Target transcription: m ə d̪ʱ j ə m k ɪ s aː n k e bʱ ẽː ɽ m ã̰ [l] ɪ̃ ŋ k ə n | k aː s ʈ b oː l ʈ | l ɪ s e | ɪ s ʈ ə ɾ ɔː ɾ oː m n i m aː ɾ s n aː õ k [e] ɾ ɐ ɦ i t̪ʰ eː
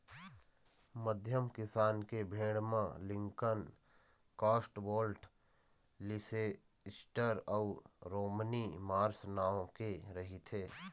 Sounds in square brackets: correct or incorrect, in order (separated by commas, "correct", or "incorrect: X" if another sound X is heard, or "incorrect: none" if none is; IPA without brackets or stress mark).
correct, correct